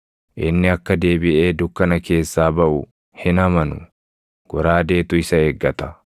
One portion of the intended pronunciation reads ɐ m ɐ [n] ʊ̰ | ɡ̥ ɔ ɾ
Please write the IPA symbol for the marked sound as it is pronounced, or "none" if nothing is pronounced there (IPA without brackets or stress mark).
n